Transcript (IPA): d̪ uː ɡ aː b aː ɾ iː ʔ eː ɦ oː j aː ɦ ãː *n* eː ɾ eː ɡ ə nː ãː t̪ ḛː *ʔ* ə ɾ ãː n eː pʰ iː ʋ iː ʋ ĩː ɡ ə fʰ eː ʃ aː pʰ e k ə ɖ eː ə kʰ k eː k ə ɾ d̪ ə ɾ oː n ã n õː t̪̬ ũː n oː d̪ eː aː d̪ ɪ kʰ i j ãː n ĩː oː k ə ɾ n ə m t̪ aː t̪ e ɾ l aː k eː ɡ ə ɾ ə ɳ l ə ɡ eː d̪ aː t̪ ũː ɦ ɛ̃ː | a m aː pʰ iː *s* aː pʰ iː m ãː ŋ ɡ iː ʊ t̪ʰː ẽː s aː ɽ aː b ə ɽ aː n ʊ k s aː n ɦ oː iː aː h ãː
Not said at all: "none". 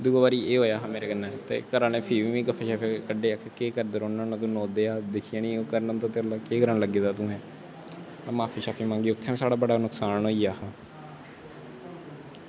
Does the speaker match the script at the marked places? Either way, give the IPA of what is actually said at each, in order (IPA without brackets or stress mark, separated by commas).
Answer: m, k, ʃ